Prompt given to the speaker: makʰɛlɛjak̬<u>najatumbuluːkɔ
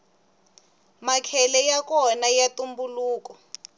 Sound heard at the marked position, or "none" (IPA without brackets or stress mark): ɔ